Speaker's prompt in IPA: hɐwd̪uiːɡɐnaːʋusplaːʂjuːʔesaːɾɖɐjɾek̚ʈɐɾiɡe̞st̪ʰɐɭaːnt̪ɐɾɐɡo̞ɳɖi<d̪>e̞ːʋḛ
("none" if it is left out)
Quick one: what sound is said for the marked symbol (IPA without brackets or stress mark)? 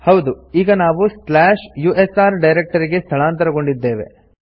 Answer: d̪ː